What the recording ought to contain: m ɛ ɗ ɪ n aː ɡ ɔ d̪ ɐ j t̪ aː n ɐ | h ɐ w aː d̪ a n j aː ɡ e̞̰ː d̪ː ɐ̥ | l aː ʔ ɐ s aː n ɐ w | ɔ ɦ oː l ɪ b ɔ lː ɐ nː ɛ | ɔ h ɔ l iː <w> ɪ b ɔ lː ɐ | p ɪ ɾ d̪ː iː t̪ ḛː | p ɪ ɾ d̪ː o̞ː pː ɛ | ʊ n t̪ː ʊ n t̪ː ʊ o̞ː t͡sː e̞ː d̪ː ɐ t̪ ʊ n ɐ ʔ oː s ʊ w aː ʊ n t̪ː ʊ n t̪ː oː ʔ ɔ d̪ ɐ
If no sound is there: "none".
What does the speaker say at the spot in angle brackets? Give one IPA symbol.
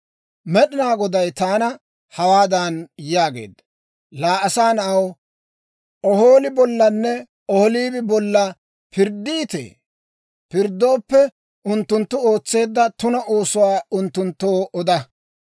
b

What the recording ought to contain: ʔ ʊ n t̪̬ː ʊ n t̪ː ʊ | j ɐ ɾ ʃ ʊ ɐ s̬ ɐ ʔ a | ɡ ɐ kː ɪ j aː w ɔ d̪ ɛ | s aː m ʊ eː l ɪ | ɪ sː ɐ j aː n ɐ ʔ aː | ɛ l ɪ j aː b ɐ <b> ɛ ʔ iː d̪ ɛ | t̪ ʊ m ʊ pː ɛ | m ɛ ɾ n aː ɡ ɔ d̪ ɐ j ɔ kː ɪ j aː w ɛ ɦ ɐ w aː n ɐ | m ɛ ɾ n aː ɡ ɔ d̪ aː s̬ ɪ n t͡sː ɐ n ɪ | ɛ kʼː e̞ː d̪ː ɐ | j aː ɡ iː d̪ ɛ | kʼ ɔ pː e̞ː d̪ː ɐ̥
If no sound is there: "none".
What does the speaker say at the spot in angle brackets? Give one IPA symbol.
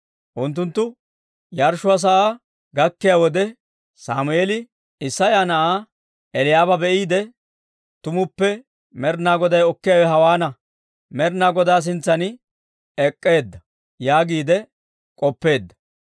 b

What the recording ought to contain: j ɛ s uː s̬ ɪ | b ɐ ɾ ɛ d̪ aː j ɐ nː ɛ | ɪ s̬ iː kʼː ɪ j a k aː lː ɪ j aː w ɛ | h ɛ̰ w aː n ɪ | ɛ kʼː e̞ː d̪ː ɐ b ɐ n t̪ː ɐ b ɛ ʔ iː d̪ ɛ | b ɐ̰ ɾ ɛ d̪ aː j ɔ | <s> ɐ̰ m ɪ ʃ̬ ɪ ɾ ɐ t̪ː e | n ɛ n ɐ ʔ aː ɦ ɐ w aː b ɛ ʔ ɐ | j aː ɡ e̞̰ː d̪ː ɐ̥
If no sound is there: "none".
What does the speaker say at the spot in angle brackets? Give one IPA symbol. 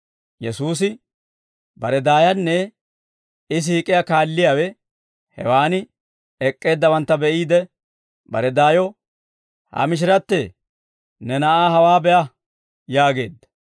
h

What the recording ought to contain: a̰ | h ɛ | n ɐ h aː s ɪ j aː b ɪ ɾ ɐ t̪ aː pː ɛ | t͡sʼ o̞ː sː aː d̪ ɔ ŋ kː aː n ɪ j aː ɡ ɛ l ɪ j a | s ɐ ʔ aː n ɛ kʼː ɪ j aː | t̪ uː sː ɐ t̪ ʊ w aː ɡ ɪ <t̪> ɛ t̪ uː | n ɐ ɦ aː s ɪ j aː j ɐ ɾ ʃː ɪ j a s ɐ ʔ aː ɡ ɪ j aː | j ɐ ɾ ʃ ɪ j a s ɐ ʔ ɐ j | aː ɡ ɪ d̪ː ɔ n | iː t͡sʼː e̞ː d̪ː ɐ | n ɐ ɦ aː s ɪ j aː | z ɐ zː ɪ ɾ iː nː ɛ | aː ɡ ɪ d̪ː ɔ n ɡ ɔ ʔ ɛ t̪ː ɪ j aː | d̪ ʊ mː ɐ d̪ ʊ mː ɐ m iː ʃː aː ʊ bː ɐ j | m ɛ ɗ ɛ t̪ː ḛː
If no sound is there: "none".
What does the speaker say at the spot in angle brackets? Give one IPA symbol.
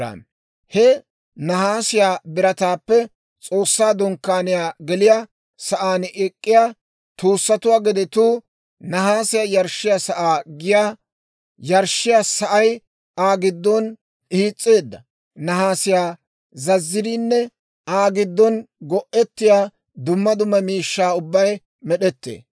d̪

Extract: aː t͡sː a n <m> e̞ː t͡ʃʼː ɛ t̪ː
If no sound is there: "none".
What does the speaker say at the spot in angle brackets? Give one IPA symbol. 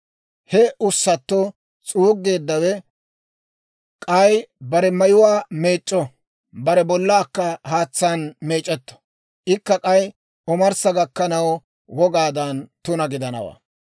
m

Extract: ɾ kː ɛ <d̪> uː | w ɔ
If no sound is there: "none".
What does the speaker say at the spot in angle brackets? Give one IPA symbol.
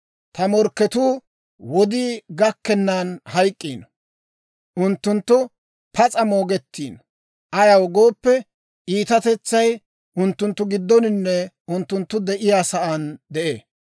t̪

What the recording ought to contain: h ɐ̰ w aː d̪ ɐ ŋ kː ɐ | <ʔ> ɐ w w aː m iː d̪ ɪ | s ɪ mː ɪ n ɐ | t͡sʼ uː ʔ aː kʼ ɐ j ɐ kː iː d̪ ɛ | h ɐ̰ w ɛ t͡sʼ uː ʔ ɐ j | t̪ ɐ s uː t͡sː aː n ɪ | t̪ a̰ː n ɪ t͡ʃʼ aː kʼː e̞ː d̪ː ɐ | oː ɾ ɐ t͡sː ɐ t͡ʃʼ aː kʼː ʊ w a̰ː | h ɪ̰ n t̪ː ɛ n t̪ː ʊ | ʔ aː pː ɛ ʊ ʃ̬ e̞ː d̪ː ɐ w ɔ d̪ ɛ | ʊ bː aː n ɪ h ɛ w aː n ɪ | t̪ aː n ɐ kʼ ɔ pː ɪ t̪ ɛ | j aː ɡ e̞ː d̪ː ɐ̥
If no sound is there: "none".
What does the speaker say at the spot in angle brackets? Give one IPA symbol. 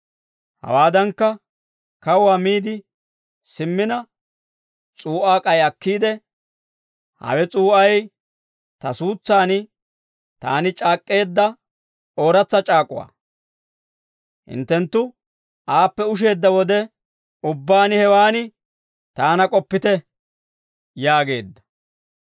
k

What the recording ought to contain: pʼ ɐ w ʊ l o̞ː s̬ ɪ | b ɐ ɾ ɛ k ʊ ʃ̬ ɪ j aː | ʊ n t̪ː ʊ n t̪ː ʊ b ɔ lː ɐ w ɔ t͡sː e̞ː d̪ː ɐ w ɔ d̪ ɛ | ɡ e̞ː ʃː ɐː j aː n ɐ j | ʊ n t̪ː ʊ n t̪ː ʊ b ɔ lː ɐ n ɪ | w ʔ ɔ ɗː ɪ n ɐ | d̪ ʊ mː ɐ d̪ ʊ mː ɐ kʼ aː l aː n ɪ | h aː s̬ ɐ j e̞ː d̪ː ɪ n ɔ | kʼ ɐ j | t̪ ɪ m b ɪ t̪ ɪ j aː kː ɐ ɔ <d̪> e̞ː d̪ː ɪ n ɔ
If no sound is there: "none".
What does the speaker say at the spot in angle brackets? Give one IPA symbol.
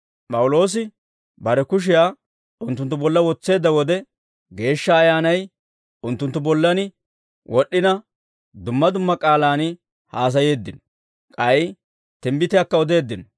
d̪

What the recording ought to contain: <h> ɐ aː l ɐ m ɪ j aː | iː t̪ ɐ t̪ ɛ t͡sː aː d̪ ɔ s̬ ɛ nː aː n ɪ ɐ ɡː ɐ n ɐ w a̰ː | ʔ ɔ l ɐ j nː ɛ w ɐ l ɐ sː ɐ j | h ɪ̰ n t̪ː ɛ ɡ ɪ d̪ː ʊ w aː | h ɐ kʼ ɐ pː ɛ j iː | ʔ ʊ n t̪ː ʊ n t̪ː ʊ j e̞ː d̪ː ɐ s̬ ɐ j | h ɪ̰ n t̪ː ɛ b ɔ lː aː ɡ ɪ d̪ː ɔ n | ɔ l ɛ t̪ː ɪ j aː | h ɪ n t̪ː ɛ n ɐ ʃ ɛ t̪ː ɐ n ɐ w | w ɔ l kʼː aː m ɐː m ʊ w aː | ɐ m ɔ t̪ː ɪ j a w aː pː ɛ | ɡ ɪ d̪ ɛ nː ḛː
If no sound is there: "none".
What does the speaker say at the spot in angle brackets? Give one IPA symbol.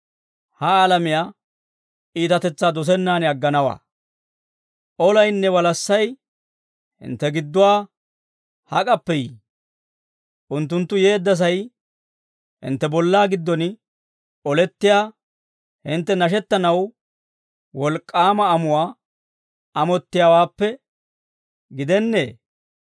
h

